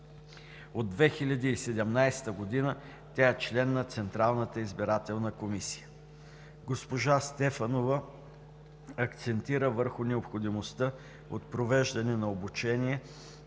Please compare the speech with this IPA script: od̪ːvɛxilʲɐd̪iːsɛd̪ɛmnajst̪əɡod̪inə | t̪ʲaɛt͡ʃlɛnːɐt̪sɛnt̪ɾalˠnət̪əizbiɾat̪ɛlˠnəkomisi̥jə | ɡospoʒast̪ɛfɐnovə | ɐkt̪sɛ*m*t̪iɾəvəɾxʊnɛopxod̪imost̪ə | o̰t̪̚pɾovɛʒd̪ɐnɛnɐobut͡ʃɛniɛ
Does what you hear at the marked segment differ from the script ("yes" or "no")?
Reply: yes